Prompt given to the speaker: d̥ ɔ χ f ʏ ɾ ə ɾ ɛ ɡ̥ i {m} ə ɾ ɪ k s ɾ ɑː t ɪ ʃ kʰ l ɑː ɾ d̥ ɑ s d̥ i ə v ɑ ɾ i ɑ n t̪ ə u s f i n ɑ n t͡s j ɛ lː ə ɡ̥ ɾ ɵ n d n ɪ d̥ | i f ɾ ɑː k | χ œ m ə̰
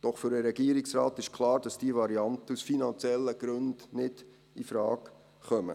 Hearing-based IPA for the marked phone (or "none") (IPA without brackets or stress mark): none